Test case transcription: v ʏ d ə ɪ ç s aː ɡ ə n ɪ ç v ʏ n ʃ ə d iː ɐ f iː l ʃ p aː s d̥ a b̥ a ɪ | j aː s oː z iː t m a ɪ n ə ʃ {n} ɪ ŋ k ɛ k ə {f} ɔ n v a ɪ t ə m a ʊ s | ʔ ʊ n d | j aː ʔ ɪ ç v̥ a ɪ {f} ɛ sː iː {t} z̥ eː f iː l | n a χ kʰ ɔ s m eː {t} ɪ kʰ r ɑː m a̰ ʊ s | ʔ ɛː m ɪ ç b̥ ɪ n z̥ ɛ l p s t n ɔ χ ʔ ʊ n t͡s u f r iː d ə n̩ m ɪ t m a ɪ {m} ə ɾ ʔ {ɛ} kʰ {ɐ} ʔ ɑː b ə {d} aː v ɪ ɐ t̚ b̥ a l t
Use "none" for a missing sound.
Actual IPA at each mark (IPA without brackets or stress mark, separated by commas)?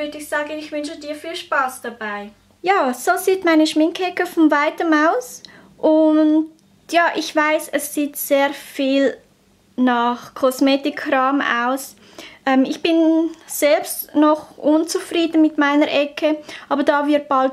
m, f, s, t, t, n, ɛ, ə, d